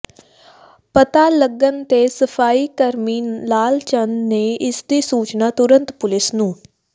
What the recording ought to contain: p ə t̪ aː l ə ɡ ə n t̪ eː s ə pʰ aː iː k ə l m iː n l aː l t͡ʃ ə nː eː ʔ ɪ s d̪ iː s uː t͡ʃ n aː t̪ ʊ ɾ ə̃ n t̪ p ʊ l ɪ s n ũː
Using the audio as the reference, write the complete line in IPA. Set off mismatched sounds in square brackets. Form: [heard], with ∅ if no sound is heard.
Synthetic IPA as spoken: p ə t̪ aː l ə ɡ ə n t̪ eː s ə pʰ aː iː k ə [ɾ] m iː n l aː l t͡ʃ ə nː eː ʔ ɪ s d̪ iː s uː t͡ʃ n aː t̪ ʊ ɾ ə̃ n t̪ p ʊ l ɪ s n ũː